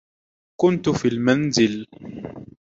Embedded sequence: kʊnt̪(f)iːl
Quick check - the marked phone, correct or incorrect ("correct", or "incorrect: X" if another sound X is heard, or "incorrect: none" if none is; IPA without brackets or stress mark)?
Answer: correct